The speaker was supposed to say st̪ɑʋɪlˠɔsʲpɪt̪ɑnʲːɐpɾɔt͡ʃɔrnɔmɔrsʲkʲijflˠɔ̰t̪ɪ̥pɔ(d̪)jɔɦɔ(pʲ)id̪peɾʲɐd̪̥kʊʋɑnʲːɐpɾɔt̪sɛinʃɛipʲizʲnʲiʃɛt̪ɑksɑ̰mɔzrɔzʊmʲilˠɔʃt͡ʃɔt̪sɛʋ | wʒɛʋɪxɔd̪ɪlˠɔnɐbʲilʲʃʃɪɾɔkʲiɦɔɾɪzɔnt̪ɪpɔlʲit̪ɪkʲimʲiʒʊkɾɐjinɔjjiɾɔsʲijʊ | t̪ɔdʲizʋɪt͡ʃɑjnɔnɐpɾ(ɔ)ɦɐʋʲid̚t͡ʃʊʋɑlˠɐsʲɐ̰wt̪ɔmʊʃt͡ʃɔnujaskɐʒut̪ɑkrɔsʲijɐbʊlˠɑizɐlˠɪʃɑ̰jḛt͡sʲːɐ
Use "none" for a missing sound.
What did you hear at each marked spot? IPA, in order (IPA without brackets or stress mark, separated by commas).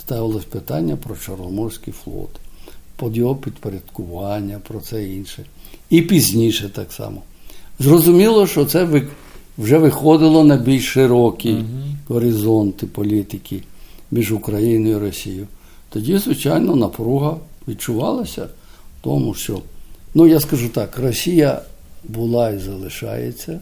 d̪, pʲ, u